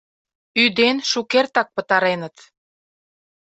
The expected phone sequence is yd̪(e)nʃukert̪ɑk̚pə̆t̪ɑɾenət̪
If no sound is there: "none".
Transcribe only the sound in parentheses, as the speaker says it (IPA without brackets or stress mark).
e